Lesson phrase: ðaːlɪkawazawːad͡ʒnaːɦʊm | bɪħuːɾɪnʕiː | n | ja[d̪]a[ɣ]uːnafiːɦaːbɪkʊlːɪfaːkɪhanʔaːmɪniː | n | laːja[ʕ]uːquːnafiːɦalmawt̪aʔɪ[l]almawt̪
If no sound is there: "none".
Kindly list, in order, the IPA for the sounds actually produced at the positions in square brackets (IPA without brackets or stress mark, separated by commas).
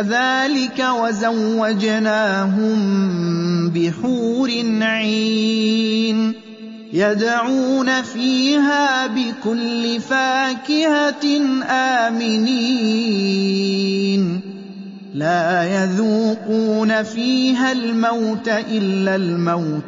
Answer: d̪, ʕ, ð, lː